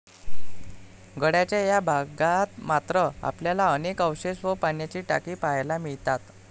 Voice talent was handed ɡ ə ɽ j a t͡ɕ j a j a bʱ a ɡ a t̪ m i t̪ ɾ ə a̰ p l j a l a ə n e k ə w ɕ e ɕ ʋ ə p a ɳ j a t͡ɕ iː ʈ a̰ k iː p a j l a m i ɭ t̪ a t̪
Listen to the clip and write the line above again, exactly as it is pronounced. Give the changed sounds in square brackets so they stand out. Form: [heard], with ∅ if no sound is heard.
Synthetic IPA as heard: ɡ ə ɽ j a t͡ɕ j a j a bʱ a ɡ a t̪ m [a] t̪ ɾ ə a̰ p l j a l a ə n e k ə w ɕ e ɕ ʋ ə p a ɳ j a t͡ɕ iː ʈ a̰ k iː p a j l a m i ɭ t̪ a t̪

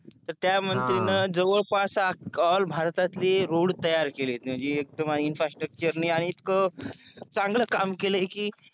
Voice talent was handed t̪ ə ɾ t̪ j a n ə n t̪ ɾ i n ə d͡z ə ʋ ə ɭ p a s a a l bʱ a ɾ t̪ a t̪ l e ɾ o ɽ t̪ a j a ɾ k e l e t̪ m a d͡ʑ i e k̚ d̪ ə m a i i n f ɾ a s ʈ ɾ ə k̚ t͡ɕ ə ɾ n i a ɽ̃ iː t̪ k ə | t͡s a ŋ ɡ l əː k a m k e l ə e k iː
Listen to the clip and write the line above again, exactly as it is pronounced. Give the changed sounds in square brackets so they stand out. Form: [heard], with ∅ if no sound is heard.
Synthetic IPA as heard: t̪ ə ɾ t̪ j a [m] ə n t̪ ɾ i n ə d͡z ə ʋ ə ɭ p a s a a l bʱ a ɾ t̪ a t̪ l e ɾ o ɽ t̪ [ə] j a ɾ k e l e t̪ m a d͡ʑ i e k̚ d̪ ə m a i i n f ɾ a s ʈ ɾ ə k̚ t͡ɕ ə ɾ n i a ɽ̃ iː t̪ k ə | t͡s a ŋ ɡ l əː k a m k e l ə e k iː

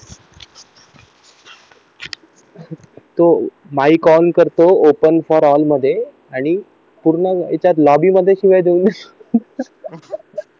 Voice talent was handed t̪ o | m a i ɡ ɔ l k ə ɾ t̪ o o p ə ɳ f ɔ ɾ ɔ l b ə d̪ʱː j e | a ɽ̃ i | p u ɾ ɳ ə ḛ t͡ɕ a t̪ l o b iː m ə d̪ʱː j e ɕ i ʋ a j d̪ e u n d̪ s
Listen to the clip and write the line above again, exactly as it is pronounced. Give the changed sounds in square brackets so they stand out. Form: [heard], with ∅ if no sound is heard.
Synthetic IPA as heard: t̪ o | m a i [k] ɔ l k ə ɾ t̪ o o p ə [n] f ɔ ɾ ɔ l [m] ə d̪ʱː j e | a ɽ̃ i | p u ɾ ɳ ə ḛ t͡ɕ a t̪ l [ɔ] b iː m ə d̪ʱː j e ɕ i ʋ a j d̪ e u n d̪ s

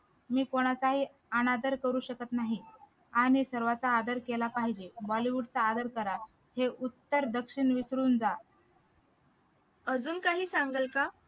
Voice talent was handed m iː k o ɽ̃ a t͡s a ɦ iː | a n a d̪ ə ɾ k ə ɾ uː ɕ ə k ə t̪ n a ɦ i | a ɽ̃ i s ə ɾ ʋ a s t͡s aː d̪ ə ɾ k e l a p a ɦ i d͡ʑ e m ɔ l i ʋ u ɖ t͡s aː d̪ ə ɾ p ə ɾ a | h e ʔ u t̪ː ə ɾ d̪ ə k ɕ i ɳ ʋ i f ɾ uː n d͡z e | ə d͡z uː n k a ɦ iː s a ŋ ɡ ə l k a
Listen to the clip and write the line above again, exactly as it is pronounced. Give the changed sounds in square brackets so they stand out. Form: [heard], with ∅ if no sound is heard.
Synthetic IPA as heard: m iː k o ɽ̃ a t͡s a ɦ iː | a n a d̪ ə ɾ k ə ɾ uː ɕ ə k ə t̪ n a ɦ i | a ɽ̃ i s ə ɾ ʋ a [∅] t͡s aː d̪ ə ɾ k e l a p a ɦ i d͡ʑ e [b] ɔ l i ʋ u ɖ t͡s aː d̪ ə ɾ [k] ə ɾ a | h e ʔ u t̪ː ə ɾ d̪ ə k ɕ i ɳ ʋ i [s] ɾ uː n d͡z [a] | ə d͡z uː n k a ɦ iː s a ŋ ɡ ə l k a

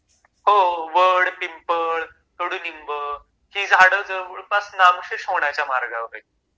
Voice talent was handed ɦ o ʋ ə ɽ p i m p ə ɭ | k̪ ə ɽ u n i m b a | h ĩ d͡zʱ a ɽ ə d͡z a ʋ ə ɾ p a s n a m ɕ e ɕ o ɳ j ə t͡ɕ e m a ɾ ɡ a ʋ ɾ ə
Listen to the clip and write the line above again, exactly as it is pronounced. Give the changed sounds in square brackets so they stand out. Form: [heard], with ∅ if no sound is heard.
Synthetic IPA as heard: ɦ o ʋ ə ɽ p i m p ə ɭ | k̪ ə ɽ u n i m b [ə] | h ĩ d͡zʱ a ɽ ə d͡z [ə] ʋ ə [ɭ] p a s n a m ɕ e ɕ o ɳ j [a] t͡ɕ [a] m a ɾ ɡ a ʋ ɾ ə

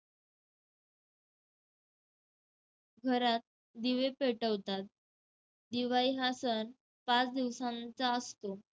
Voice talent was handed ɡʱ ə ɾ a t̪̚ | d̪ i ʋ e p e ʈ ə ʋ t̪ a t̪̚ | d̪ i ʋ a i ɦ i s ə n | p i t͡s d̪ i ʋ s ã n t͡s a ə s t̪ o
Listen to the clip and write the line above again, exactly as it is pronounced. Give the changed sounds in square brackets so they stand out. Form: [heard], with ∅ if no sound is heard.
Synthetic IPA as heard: ɡʱ ə ɾ a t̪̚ | d̪ i ʋ e p e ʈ ə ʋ t̪ a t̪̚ | d̪ i ʋ a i ɦ [a] s ə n | p [a] t͡s d̪ i ʋ s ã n t͡s a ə s t̪ o

